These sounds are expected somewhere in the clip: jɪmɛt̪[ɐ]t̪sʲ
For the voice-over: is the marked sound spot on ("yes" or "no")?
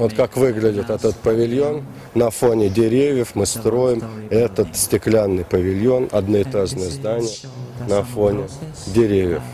no